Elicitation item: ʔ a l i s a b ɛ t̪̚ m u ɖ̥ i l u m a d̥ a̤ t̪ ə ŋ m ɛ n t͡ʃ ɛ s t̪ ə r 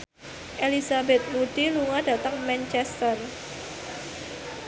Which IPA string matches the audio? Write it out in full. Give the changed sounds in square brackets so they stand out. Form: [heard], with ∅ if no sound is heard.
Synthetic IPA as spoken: ʔ [e] l i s a b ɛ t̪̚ m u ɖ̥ i l u [ŋ] a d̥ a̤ t̪ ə ŋ m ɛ n t͡ʃ ɛ s t̪ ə r